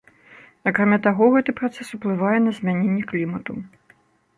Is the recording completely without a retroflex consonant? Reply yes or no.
yes